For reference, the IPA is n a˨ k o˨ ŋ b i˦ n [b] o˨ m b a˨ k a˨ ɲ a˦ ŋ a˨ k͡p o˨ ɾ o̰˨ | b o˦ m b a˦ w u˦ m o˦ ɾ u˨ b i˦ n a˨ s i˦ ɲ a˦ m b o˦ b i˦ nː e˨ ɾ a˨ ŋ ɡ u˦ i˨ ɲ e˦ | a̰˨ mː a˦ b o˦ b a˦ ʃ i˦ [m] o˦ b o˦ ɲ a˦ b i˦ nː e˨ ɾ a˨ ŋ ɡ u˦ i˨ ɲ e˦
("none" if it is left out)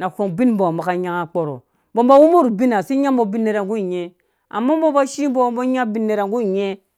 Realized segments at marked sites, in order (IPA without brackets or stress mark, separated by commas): b, b